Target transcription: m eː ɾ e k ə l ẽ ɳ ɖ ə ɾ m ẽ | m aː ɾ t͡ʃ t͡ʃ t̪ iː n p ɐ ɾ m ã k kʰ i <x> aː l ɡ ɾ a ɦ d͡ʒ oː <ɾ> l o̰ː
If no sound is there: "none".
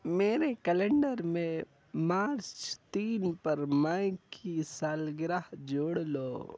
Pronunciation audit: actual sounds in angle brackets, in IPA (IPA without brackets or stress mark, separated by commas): s, ɽ